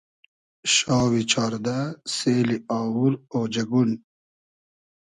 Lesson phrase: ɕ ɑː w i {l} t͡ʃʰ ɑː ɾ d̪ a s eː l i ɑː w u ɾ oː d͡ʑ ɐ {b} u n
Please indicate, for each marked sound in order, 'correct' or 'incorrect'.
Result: incorrect, incorrect

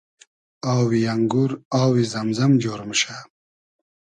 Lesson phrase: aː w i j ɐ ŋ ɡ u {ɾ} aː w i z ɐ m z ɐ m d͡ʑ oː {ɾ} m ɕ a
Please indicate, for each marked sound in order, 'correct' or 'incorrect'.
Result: correct, correct

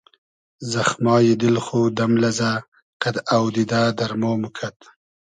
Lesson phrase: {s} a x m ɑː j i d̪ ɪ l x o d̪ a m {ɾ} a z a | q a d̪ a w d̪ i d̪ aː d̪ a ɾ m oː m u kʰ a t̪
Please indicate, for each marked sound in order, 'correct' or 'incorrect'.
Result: incorrect, incorrect

